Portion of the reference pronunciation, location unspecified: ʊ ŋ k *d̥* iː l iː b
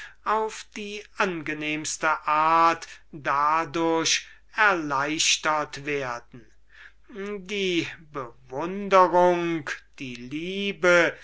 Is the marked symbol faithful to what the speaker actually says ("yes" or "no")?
yes